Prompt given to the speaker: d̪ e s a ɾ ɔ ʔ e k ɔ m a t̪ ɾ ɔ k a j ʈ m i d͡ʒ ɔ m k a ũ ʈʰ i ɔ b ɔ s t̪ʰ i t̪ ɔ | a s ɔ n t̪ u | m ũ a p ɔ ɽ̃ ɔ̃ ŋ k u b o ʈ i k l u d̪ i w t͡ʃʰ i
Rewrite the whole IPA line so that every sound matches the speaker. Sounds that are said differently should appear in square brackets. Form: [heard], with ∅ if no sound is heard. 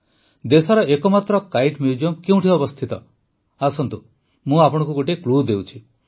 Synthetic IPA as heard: d̪ e s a ɾ ɔ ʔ e k ɔ m a t̪ ɾ ɔ k a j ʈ m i d͡ʒ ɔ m k [e] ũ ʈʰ i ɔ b ɔ s t̪ʰ i t̪ ɔ | a s ɔ n t̪ u | m ũ a p ɔ ɽ̃ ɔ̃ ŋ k u [ɡ] o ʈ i k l u d̪ [e] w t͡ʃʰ i